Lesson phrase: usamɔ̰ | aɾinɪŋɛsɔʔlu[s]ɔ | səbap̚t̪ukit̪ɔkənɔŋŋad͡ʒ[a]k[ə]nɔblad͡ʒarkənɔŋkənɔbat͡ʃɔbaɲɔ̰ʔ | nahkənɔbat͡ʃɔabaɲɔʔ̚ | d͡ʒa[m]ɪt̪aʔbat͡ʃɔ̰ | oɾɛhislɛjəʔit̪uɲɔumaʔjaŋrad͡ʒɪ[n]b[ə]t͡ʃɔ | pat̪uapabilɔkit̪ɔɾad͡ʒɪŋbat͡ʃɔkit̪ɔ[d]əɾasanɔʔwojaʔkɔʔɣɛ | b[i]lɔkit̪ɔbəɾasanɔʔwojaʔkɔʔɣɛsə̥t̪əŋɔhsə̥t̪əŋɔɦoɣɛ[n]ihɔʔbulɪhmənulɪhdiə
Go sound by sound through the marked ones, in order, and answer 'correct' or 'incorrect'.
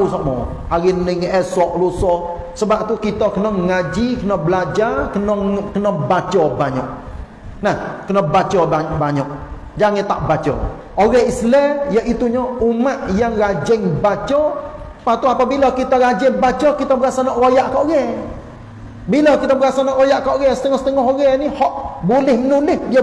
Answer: correct, incorrect: i, correct, incorrect: ŋ, incorrect: ŋ, incorrect: a, incorrect: b, correct, correct

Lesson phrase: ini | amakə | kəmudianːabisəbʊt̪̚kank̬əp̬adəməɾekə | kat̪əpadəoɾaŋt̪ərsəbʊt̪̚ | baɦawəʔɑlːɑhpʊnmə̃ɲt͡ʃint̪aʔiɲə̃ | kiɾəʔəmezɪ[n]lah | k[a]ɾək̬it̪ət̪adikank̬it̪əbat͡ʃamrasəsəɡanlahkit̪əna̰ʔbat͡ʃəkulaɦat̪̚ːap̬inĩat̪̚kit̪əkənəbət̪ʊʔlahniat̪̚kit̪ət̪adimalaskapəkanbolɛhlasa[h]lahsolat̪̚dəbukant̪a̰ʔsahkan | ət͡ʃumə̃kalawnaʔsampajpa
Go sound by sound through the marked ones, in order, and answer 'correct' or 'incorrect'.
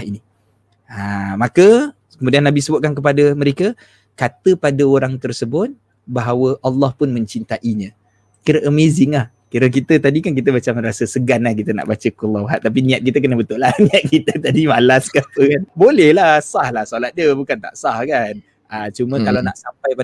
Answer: incorrect: ŋ, incorrect: i, correct

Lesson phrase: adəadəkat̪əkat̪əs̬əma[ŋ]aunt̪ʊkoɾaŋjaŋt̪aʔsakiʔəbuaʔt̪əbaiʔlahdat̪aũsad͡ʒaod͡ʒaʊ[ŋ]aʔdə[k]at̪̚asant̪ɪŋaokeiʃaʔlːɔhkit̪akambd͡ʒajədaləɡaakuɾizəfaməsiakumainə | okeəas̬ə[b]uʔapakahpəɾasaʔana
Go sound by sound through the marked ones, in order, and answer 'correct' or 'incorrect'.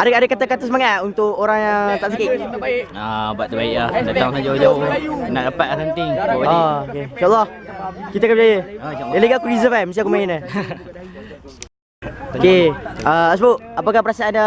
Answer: correct, incorrect: n, incorrect: p, correct

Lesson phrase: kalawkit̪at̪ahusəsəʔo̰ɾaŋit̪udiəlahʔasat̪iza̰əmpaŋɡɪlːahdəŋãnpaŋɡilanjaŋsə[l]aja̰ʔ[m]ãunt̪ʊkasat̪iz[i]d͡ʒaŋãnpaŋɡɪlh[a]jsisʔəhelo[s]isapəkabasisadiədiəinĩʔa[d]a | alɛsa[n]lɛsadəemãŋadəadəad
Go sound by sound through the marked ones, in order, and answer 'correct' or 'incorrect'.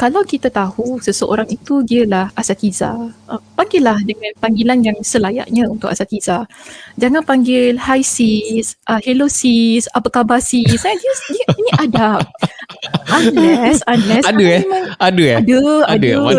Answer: correct, incorrect: ɲ, incorrect: a, correct, correct, correct, correct

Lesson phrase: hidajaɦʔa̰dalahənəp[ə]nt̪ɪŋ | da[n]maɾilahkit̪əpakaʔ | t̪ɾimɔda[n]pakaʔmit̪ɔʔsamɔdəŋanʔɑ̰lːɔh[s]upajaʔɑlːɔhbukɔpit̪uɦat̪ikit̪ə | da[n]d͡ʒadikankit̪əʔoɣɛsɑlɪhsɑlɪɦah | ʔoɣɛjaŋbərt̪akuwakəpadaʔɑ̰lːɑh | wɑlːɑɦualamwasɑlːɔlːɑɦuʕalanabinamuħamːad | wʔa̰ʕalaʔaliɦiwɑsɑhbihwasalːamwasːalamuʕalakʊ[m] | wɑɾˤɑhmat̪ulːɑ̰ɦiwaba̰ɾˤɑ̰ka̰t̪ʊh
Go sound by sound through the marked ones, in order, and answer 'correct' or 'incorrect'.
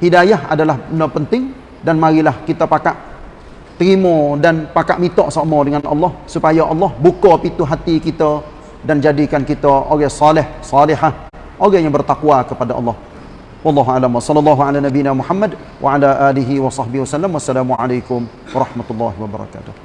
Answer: correct, correct, correct, correct, correct, correct

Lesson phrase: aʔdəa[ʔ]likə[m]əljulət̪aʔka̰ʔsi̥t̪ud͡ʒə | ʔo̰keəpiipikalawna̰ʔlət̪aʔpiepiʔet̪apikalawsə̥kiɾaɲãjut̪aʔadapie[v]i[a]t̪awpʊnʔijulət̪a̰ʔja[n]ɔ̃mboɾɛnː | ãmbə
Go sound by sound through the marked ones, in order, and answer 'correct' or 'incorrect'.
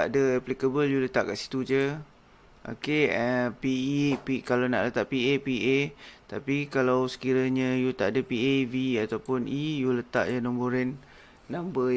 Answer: incorrect: p, incorrect: b, correct, correct, correct

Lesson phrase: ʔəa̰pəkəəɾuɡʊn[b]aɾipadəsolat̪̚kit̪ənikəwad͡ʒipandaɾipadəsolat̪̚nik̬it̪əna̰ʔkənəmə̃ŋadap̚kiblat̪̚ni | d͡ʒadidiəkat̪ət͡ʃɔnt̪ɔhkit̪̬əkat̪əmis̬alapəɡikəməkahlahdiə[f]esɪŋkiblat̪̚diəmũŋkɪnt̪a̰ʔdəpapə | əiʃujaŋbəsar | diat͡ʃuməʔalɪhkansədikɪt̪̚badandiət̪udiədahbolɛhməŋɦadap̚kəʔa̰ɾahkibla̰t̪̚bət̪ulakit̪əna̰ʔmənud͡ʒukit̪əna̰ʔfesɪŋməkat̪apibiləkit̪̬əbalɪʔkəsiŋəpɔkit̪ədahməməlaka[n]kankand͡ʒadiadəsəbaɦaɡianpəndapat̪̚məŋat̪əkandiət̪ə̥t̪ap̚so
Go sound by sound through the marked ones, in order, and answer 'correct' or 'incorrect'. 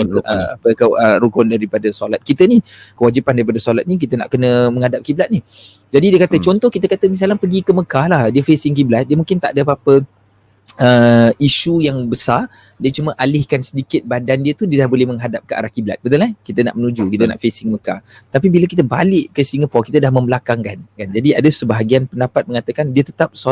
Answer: incorrect: d, correct, incorrect: ŋ

